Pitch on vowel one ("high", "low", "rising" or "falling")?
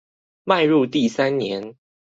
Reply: falling